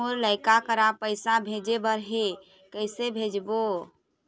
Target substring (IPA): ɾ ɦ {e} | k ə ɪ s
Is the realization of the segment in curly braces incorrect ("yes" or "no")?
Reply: no